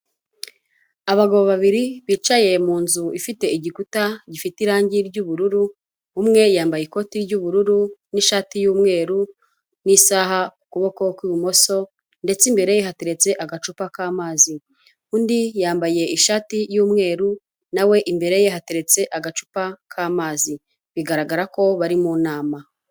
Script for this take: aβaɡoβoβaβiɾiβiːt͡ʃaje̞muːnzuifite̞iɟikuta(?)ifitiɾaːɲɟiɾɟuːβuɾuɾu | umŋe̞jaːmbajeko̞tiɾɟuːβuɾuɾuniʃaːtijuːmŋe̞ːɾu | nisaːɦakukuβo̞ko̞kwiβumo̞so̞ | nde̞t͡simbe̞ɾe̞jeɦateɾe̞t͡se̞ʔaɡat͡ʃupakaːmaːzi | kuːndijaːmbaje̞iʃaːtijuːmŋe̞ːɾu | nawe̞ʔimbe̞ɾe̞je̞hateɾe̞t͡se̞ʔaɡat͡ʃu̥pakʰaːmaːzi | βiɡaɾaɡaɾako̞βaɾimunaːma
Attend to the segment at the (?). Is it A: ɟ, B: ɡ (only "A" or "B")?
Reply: A